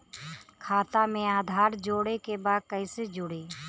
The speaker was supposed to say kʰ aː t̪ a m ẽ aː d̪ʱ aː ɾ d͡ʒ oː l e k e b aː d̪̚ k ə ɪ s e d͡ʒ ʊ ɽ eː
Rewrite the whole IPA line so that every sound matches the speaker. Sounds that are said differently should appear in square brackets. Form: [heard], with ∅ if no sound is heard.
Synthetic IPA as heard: kʰ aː t̪ a m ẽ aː d̪ʱ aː ɾ d͡ʒ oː [ɽ] e k e b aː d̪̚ k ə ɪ s e d͡ʒ ʊ ɽ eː